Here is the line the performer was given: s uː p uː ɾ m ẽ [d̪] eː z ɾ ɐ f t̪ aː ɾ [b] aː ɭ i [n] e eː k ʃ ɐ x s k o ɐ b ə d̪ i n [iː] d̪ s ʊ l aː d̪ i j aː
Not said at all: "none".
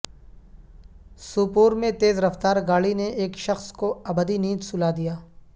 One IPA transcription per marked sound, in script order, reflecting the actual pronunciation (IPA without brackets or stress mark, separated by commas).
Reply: t̪, ɡ, n, iː